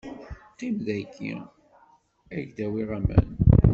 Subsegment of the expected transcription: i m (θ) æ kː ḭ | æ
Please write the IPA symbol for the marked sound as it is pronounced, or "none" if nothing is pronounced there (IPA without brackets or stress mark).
ð